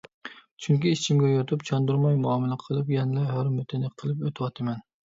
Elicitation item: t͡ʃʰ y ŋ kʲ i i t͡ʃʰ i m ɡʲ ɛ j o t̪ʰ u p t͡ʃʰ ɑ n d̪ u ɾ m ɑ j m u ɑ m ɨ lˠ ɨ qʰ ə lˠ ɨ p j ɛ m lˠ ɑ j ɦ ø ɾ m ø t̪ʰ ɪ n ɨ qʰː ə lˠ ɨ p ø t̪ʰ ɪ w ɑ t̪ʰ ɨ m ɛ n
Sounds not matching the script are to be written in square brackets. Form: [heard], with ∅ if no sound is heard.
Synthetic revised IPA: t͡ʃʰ y ŋ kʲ i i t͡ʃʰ i m ɡʲ ɛ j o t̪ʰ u p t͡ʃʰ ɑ n d̪ u ɾ m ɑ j m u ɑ m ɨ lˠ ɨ qʰ ə lˠ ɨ p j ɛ [n] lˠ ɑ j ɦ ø ɾ m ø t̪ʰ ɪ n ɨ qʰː ə lˠ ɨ p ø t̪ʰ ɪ w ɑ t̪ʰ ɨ m ɛ n